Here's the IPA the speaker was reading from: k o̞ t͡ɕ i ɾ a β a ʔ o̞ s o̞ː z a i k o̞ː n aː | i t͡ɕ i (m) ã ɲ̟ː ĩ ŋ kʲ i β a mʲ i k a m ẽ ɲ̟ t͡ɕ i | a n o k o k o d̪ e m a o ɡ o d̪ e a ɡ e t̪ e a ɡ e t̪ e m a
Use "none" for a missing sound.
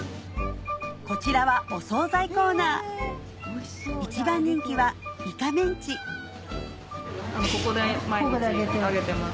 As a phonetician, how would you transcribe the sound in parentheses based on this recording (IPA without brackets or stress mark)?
b